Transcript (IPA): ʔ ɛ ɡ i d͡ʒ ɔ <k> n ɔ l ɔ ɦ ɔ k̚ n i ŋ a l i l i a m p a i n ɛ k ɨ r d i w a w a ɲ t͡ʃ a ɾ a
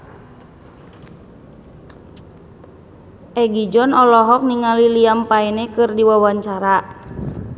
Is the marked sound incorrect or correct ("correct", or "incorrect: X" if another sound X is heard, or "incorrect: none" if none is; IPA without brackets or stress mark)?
incorrect: none